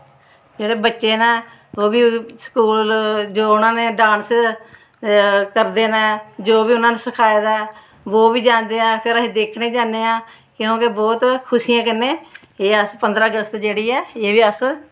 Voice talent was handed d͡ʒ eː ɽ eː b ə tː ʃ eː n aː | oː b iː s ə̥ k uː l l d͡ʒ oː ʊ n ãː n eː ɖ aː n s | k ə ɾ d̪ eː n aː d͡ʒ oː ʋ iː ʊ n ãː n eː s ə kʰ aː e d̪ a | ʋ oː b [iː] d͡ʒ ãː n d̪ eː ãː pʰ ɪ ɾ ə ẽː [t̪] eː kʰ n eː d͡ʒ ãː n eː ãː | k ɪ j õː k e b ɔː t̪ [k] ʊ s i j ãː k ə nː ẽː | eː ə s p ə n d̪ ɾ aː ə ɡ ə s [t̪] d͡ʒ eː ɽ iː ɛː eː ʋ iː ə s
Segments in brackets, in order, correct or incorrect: correct, incorrect: d̪, incorrect: kʰ, correct

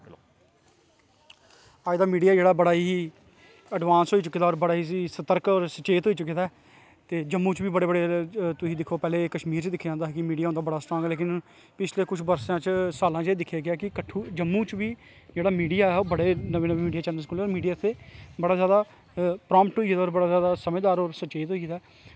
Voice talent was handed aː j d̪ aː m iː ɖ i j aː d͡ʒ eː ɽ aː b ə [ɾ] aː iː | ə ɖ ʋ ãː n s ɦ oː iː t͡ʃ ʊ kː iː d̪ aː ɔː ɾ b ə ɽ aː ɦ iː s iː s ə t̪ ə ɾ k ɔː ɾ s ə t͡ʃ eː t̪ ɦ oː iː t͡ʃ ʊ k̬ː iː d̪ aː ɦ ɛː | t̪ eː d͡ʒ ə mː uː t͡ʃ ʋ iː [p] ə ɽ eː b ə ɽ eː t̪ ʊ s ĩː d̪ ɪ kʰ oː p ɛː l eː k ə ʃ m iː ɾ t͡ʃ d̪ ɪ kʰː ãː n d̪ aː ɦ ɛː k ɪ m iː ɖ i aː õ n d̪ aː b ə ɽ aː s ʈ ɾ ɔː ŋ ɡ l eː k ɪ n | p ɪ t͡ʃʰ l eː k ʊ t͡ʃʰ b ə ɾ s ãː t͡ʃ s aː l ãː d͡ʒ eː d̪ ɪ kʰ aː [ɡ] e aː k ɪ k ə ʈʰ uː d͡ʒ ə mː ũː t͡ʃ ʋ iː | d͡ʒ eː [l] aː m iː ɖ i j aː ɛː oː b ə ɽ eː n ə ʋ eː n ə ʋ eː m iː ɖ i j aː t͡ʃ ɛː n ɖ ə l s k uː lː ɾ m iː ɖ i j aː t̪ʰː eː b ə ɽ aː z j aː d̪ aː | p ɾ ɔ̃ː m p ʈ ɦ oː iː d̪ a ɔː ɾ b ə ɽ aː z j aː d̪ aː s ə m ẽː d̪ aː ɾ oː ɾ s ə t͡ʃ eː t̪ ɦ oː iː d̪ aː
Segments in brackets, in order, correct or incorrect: incorrect: ɽ, incorrect: b, correct, incorrect: ɽ

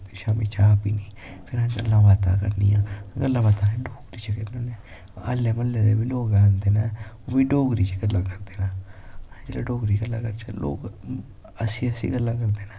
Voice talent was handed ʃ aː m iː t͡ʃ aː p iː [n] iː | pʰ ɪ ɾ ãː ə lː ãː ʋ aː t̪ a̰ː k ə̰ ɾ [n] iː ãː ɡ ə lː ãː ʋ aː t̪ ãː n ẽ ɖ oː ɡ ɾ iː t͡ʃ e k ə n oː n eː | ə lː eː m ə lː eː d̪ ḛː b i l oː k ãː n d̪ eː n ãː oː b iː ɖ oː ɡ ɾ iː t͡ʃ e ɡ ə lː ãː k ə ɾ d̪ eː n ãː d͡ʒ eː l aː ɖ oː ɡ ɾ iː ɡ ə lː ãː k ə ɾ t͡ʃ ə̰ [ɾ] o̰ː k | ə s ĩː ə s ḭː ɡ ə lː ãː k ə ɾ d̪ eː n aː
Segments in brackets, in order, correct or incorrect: correct, correct, incorrect: l

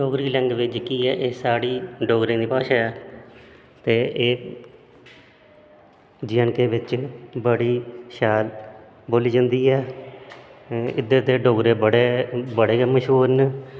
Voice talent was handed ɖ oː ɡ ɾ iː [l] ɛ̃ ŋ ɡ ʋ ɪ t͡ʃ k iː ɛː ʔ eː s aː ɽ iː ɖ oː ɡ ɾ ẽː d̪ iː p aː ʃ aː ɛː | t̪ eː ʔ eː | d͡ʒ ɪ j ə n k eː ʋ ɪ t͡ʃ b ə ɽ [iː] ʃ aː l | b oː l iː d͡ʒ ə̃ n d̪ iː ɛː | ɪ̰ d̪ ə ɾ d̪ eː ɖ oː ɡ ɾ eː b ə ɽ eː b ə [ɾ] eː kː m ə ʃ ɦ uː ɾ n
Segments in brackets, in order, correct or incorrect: correct, correct, incorrect: ɽ

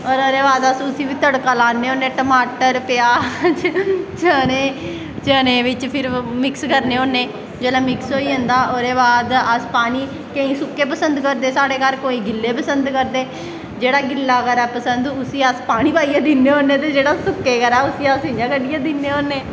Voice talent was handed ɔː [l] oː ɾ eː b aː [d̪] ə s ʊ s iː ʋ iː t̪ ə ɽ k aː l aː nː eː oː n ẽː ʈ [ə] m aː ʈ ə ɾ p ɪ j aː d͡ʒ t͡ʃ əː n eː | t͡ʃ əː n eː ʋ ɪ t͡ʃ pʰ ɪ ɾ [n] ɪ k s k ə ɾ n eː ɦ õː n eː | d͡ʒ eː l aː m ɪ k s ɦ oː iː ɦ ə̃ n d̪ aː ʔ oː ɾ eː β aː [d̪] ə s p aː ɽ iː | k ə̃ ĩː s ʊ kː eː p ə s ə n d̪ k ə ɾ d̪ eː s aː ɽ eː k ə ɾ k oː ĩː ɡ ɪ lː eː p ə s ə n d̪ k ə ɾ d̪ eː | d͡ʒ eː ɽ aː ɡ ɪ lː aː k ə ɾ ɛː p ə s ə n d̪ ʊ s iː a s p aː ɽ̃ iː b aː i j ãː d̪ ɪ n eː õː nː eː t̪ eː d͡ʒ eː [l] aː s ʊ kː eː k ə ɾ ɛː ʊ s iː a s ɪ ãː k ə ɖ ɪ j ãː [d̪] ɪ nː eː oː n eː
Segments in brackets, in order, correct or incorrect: incorrect: ɾ, correct, correct, incorrect: m, correct, incorrect: ɽ, correct

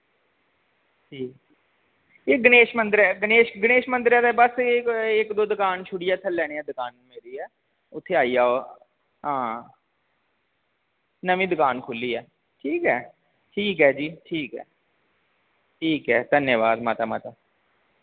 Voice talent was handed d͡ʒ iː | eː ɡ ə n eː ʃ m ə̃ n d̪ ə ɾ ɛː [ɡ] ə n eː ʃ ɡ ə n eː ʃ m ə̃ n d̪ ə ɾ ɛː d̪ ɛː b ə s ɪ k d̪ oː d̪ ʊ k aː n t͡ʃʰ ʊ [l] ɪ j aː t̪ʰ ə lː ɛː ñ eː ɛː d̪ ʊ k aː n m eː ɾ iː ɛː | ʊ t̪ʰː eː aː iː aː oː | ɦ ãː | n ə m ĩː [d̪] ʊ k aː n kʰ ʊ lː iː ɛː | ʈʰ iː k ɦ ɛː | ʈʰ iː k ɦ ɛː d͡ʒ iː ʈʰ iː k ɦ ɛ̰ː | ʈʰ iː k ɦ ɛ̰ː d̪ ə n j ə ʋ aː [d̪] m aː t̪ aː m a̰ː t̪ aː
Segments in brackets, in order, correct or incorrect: correct, incorrect: ɽ, correct, correct

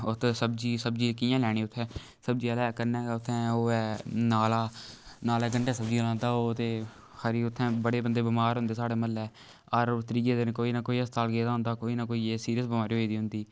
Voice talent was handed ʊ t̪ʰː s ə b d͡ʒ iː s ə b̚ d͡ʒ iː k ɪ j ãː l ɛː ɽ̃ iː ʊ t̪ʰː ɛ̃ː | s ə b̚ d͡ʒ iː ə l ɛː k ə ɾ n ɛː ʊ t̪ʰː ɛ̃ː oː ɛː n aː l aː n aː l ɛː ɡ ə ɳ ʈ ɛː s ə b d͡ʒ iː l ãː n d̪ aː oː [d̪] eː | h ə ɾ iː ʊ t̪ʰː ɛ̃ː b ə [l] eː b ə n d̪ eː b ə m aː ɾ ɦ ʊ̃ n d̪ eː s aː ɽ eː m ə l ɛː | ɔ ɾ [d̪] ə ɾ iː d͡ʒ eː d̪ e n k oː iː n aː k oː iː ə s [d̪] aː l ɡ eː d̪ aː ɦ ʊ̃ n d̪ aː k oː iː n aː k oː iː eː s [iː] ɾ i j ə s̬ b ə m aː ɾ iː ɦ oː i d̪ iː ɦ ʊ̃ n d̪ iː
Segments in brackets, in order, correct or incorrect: incorrect: t̪, incorrect: ɽ, incorrect: t̪, incorrect: t̪, correct

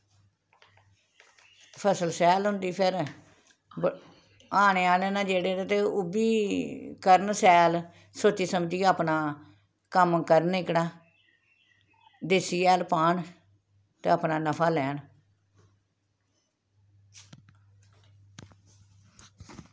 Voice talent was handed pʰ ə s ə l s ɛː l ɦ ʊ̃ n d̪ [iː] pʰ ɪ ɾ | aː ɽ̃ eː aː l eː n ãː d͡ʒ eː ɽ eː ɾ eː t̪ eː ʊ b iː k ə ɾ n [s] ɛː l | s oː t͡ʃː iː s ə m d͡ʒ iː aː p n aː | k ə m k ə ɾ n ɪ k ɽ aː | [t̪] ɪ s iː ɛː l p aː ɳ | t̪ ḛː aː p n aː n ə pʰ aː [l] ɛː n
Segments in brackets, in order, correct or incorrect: correct, correct, incorrect: d̪, correct

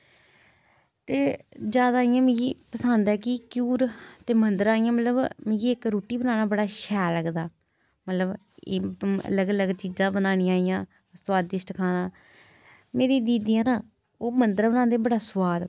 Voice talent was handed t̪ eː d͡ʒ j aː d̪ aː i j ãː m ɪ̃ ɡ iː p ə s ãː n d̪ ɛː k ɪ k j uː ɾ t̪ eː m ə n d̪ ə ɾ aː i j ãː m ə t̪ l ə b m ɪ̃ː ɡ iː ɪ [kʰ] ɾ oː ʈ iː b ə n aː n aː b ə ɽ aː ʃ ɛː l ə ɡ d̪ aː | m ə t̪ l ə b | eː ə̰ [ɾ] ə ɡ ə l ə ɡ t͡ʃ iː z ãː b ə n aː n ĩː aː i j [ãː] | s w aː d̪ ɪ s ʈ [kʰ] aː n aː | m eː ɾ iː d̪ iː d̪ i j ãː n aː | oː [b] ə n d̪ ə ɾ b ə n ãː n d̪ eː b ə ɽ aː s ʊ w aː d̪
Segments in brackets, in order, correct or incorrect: incorrect: k, incorrect: l, correct, correct, incorrect: m

